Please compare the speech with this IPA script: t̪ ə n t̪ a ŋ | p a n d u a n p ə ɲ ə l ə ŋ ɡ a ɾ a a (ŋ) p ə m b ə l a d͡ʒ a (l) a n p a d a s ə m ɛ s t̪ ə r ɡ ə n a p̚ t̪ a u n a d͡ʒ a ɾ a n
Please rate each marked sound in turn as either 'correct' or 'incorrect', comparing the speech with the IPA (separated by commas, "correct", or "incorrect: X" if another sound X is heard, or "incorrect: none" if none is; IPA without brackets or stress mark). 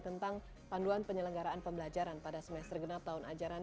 incorrect: n, incorrect: ɾ